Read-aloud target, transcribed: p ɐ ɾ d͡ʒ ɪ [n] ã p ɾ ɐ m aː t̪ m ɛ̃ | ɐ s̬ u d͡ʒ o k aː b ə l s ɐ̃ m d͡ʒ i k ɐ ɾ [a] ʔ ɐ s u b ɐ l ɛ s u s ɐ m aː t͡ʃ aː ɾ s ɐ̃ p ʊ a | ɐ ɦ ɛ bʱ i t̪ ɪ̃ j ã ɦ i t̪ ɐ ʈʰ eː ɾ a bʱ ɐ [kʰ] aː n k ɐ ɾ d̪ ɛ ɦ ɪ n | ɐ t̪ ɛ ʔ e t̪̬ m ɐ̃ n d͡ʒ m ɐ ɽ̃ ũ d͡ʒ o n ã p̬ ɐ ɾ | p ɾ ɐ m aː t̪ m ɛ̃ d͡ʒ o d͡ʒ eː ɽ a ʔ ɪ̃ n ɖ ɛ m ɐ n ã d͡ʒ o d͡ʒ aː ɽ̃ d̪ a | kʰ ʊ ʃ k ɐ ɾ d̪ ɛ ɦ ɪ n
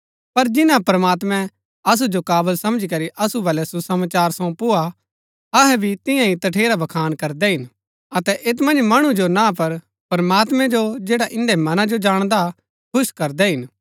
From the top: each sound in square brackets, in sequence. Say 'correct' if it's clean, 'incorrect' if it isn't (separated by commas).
correct, incorrect, correct